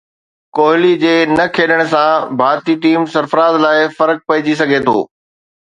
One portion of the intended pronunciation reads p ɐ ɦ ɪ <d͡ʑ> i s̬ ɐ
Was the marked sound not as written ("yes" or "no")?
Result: no